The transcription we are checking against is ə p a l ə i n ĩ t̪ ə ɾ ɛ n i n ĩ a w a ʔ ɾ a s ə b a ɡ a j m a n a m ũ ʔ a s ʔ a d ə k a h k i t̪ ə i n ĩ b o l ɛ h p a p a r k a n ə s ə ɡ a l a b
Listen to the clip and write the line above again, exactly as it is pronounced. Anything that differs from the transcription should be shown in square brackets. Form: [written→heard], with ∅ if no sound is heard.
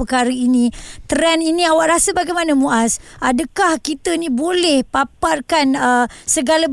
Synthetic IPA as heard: ə [p→k] a [l→ɾ] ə i n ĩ t̪ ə ɾ ɛ n i n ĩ a w a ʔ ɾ a s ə b a ɡ a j m a n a m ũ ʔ a s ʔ a d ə k a h k i t̪ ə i n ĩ b o l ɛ h p a p a r k a n ə s ə ɡ a l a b